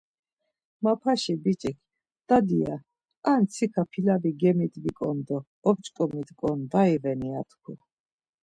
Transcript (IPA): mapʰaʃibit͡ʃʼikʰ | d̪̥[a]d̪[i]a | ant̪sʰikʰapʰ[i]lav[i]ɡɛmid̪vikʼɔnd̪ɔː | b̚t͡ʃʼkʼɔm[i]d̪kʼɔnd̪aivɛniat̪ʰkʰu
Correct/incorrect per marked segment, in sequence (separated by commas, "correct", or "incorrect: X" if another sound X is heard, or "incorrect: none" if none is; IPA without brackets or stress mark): correct, correct, correct, correct, correct